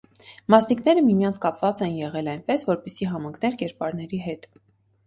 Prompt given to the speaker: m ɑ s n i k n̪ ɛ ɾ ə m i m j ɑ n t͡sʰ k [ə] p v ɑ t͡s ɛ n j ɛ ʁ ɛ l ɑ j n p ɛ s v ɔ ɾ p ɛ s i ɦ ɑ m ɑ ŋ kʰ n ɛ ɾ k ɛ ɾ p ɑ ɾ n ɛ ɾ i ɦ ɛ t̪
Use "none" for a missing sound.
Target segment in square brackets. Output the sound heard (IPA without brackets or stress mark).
ɑ